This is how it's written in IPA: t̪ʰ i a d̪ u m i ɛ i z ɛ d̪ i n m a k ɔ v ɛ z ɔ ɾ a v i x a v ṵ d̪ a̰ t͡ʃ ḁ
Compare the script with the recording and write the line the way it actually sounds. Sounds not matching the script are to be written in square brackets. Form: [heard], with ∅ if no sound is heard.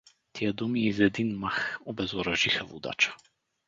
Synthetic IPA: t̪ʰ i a d̪ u m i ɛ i z ɛ d̪ i n m a [x] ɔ [b] ɛ z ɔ ɾ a [ʒ] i x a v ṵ d̪ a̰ t͡ʃ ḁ